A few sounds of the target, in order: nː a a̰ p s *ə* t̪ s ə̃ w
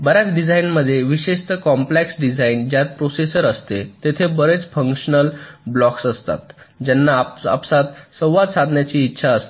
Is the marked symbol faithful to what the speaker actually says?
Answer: no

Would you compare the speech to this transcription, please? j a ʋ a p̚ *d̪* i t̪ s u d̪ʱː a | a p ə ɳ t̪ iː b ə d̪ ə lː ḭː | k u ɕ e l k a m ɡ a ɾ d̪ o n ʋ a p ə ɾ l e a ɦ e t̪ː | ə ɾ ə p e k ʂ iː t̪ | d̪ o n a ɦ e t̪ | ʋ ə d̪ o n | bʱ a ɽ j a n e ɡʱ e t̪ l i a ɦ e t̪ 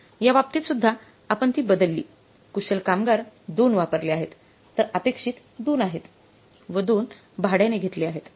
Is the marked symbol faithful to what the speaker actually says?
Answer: no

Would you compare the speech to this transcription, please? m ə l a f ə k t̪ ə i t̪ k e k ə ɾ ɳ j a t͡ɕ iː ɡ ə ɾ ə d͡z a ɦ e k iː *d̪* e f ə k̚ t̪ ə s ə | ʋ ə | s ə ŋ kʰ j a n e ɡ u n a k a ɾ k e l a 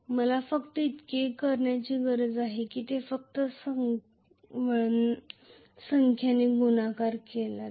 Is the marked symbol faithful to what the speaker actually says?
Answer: no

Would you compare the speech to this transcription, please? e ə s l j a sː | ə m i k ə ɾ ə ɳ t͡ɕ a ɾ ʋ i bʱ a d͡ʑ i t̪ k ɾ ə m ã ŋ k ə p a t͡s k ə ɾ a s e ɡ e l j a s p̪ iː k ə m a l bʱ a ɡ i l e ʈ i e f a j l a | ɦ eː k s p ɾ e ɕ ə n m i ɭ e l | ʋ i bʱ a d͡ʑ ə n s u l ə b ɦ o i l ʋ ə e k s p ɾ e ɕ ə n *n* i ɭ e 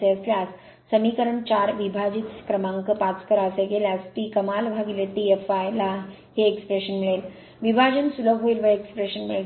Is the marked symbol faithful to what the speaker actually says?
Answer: no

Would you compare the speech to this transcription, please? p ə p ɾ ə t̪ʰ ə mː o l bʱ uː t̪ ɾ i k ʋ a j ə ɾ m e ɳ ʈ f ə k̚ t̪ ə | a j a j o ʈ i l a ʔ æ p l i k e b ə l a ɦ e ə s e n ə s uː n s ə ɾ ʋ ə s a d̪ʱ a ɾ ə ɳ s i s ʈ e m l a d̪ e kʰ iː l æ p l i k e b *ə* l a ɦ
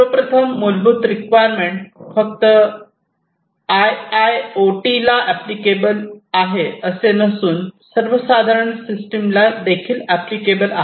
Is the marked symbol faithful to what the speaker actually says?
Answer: yes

